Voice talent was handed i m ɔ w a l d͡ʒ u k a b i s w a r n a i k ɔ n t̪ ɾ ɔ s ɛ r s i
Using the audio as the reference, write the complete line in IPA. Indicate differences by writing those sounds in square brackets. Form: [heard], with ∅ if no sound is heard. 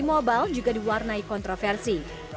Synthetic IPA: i m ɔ [b] a l d͡ʒ u [ɡ] a [d] i [∅] w a r n a i k ɔ n t̪ ɾ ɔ [f] ɛ r s i